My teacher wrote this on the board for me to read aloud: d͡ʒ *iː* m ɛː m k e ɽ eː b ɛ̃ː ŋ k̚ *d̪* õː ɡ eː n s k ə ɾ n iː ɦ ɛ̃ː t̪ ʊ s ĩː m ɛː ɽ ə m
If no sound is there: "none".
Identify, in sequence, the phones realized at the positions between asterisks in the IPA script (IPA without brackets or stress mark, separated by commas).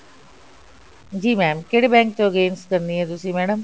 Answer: iː, t̪